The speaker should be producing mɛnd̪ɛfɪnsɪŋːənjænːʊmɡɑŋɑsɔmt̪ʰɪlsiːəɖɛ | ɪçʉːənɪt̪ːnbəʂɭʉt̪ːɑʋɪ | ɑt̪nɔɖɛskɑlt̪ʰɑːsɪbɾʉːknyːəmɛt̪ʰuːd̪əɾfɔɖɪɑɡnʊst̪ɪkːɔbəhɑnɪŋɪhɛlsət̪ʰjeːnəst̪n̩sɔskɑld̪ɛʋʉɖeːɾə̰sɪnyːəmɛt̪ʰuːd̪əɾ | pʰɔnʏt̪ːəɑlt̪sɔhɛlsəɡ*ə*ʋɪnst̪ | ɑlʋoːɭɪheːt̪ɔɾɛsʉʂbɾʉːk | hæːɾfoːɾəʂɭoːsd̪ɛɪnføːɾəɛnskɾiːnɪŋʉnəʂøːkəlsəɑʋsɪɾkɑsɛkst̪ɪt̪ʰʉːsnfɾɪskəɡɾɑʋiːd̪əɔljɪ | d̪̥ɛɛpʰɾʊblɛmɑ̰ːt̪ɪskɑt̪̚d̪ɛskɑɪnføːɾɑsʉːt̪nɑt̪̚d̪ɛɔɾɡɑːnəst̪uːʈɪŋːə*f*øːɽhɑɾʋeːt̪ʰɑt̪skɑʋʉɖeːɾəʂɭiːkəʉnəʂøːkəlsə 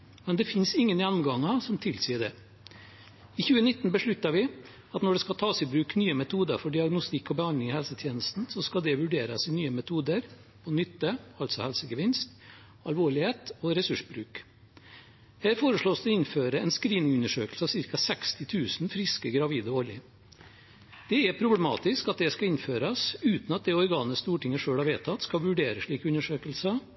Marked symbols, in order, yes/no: yes, no

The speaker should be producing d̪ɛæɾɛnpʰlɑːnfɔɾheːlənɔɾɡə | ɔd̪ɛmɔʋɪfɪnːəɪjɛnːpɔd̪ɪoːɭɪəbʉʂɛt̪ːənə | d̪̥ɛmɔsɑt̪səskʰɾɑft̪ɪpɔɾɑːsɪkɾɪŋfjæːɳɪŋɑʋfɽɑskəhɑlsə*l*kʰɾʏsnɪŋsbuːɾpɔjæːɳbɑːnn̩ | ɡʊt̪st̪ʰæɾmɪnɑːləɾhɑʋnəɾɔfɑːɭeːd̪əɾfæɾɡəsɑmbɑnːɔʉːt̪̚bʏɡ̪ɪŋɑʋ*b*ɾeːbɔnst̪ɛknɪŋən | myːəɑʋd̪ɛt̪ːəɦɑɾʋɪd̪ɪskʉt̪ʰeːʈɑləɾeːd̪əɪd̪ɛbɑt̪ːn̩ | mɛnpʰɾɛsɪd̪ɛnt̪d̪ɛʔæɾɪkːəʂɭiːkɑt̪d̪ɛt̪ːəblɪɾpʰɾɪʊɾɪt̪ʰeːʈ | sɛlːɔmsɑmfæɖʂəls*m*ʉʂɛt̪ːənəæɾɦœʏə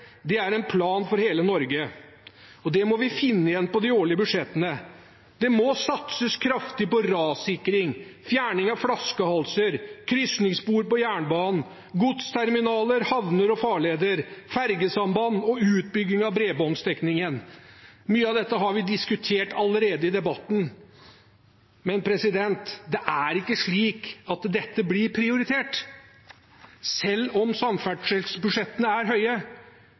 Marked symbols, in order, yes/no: no, yes, no

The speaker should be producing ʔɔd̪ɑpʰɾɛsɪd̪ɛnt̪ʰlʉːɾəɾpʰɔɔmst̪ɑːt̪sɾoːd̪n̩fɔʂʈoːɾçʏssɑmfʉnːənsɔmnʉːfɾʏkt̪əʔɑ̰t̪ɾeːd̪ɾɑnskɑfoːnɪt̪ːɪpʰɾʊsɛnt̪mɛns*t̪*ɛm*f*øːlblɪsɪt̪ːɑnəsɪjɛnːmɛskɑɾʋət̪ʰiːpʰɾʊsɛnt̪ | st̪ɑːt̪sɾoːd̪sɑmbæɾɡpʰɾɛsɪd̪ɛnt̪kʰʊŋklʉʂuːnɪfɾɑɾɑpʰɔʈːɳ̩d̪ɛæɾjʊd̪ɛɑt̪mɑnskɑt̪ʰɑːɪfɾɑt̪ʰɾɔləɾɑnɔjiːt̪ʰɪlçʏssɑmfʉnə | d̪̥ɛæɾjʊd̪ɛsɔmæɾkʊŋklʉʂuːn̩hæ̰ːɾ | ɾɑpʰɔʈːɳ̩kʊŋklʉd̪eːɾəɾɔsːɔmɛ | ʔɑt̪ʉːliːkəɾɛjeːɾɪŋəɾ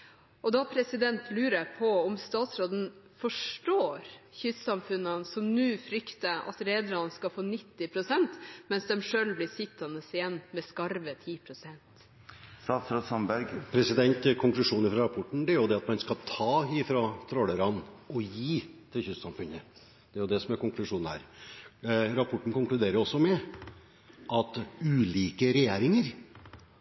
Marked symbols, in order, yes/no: no, no

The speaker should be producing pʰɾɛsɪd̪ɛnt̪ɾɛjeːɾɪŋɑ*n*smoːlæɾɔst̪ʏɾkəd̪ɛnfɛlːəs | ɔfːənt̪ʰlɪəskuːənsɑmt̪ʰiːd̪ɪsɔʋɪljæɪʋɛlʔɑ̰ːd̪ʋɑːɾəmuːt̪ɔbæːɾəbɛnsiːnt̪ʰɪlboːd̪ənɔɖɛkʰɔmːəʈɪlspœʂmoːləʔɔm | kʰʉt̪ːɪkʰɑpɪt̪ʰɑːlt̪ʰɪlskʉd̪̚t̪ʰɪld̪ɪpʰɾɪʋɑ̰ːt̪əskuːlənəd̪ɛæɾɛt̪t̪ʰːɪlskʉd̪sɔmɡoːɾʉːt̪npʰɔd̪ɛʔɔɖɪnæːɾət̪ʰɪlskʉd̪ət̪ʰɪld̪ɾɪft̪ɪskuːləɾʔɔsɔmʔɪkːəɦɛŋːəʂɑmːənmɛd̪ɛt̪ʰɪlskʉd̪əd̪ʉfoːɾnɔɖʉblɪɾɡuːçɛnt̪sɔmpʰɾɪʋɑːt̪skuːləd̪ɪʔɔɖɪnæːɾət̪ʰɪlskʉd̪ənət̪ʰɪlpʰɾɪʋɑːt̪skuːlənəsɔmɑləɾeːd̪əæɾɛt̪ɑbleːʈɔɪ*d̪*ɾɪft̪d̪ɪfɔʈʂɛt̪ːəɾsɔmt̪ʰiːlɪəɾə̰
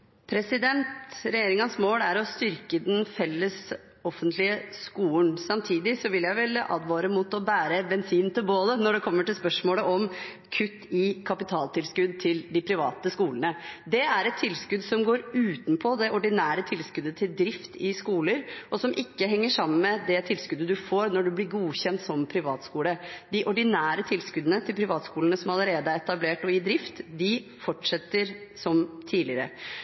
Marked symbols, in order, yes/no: yes, yes

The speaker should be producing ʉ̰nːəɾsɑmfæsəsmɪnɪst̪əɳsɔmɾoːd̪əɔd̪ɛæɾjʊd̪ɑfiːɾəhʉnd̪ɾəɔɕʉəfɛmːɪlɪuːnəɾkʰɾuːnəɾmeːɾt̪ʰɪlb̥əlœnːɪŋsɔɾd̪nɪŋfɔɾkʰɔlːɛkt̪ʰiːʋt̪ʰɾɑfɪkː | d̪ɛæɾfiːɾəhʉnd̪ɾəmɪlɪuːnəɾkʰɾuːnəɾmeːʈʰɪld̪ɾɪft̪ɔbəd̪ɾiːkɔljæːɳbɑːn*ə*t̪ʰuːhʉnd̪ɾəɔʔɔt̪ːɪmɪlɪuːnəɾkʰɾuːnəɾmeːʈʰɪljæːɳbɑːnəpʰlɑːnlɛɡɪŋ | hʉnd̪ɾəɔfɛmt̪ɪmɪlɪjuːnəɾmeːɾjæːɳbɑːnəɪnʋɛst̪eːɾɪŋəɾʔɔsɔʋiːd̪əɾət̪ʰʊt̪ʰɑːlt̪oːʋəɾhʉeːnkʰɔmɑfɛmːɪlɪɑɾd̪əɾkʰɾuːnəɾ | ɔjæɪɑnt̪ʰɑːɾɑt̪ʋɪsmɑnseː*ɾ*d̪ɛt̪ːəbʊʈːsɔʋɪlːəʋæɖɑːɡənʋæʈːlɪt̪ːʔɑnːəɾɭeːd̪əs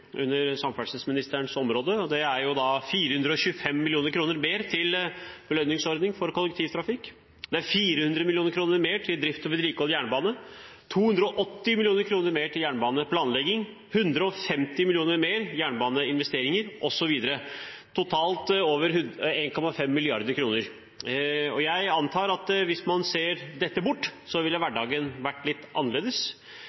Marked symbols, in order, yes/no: yes, yes

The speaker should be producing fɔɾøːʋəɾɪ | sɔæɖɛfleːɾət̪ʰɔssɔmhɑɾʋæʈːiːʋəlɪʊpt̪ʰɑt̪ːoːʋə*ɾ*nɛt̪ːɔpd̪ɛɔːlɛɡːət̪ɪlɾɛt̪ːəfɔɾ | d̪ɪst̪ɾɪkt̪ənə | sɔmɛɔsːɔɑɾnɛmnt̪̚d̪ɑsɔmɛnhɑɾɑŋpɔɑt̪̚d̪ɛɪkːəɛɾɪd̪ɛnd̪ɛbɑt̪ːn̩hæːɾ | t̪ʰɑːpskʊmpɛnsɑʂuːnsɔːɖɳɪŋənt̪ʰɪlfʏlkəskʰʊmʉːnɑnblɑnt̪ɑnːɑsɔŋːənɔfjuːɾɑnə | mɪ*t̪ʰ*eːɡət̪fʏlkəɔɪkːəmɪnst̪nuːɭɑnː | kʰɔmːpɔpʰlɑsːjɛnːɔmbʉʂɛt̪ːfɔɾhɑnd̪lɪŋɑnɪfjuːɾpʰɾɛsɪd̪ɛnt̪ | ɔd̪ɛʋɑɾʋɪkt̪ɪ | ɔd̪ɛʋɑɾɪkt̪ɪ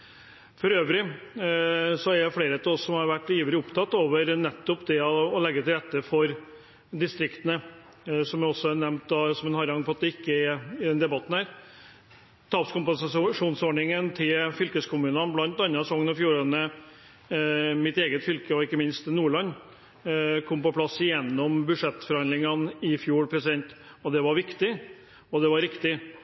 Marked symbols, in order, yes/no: yes, no

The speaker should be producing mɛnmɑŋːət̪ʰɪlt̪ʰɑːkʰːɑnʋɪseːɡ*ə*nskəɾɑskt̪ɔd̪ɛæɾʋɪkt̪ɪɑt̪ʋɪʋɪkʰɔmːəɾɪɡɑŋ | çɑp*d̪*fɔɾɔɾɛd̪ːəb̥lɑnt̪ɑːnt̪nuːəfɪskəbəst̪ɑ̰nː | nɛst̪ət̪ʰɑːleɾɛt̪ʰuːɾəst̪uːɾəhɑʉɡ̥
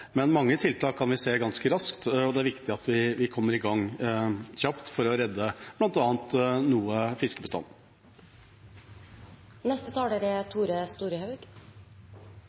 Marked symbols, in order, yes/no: no, no

